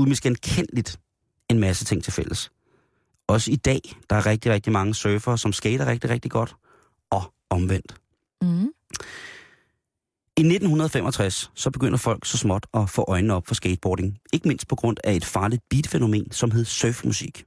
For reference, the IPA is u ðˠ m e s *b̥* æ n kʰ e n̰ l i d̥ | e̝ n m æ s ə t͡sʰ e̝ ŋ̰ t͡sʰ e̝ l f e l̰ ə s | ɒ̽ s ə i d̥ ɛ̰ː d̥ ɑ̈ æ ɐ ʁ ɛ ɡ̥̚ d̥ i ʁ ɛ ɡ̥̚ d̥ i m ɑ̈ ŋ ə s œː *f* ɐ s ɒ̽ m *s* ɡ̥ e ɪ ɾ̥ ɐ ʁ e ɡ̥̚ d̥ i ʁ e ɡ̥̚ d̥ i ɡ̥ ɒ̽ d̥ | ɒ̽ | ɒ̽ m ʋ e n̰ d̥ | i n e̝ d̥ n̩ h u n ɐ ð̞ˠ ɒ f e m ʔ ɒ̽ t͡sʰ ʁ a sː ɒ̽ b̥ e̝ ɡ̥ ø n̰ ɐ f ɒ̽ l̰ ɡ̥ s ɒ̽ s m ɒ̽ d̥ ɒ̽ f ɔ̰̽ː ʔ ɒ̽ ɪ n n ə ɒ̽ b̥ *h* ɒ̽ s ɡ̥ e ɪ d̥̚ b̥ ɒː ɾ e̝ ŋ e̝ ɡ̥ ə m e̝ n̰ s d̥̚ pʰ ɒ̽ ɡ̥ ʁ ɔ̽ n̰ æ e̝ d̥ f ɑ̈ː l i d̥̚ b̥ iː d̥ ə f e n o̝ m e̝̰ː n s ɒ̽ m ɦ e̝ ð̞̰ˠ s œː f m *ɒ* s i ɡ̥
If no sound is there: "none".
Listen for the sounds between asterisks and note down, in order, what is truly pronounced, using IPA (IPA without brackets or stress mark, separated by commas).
ɡ̥, f, s, f, u